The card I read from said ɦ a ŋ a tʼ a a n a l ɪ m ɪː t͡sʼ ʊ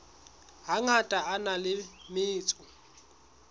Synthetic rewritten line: ɦ a ŋ a tʼ a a n a l ɪ m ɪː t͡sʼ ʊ

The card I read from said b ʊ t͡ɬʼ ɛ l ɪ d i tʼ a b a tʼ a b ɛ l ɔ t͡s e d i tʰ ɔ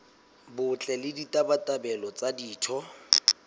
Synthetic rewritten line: b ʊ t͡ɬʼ ɛ l ɪ d i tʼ a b a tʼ a b ɛ l ɔ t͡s a d iː tʰ ɔ

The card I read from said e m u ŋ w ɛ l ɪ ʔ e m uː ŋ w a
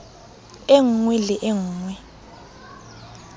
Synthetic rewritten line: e ŋ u ŋ w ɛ l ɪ ʔ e ŋ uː ŋ w ɛ

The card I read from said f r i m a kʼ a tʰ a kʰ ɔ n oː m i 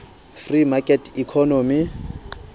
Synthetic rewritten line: f r i m a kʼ ɛ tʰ i kʰ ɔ n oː m i

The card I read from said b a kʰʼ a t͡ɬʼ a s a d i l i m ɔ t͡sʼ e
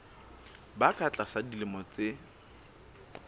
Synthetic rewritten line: b a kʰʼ a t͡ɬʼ a s a d i l ɪ m ɔ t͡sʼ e

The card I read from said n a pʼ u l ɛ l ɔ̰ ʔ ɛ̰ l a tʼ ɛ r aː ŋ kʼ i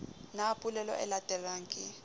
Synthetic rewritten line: n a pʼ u l ɛ l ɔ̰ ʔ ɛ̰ l a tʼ ɛ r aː ŋ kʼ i

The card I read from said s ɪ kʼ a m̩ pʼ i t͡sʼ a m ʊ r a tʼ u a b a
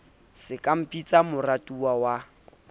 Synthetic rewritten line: s ɪ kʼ a m̩ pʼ i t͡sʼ a m ʊ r a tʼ u a w a

